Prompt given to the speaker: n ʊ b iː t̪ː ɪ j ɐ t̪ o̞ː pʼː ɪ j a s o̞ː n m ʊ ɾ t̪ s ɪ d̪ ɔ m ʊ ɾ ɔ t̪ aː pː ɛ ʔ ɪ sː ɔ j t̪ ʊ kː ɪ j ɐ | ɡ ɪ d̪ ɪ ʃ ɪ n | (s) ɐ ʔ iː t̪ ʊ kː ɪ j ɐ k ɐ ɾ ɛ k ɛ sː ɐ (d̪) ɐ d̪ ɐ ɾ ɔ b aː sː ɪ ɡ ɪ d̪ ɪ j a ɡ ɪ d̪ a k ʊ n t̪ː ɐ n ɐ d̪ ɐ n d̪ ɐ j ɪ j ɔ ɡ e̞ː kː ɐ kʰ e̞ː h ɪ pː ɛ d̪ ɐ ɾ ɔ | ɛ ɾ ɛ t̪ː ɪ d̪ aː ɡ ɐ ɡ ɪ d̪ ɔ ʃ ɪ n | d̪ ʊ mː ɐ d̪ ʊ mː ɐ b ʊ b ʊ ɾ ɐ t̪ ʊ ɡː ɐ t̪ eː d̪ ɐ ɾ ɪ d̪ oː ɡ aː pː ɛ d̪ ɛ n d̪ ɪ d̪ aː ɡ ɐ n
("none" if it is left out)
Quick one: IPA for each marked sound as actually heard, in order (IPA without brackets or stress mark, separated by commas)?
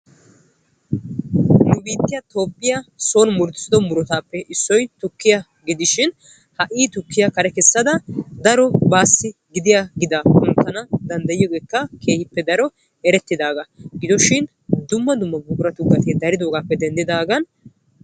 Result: h, d̪